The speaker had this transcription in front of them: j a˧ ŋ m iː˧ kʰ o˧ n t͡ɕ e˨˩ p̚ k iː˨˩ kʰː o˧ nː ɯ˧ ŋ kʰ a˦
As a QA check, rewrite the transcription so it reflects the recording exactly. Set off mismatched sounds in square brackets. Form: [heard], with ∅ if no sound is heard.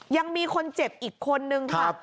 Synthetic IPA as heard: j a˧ ŋ m iː˧ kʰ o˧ n t͡ɕ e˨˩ p̚ [ʔ] iː˨˩ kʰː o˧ nː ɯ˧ ŋ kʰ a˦